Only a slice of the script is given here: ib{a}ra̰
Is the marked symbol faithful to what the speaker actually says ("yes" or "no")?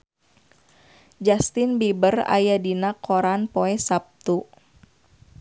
no